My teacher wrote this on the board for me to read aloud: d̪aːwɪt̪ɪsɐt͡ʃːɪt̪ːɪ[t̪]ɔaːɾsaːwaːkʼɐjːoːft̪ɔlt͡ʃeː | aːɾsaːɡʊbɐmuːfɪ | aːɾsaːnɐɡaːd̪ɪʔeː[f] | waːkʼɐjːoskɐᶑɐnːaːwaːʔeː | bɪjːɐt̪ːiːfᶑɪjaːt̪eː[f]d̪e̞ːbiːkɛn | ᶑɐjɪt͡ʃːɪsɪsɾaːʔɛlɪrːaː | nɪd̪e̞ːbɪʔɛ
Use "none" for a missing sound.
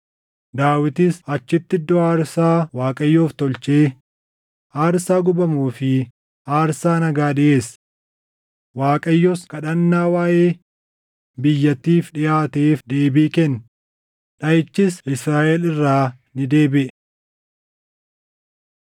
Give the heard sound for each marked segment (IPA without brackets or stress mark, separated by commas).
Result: d̪, s, f